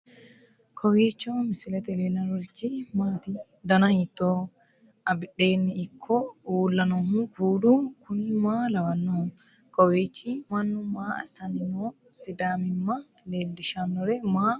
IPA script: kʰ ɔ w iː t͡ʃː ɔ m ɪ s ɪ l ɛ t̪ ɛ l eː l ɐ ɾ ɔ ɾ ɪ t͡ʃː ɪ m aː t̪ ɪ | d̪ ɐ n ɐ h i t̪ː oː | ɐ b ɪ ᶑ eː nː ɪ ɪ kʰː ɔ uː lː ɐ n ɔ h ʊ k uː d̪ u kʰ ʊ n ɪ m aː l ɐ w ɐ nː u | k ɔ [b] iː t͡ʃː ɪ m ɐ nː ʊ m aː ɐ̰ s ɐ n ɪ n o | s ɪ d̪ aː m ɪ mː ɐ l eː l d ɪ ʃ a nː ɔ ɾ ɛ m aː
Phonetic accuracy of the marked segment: incorrect: w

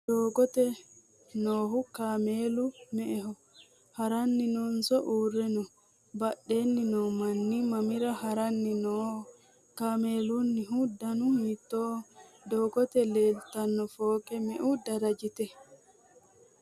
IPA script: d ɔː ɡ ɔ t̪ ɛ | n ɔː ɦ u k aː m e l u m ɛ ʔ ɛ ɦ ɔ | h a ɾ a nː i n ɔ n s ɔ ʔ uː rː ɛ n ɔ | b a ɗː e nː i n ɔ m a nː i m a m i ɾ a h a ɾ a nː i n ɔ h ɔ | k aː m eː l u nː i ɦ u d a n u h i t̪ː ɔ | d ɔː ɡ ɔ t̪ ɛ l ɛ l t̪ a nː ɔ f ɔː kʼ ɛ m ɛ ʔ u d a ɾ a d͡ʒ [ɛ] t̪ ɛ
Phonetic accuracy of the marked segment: incorrect: i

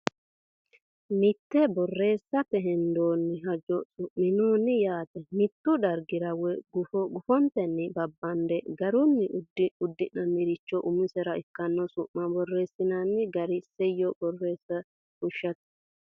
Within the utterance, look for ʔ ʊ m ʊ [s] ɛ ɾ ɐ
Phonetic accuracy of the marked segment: correct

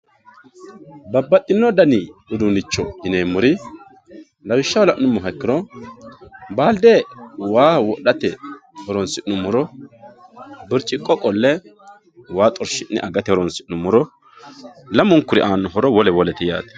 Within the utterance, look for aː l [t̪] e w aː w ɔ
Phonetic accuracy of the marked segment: incorrect: d̪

